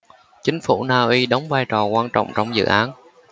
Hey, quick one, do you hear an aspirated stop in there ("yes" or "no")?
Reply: no